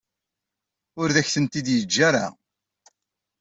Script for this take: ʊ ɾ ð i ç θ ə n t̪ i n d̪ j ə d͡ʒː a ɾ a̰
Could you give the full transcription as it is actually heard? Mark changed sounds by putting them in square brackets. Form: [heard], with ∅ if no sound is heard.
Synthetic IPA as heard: ʊ ɾ ð [æ] ç θ ə n t̪ i [∅] d̪ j ə d͡ʒː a ɾ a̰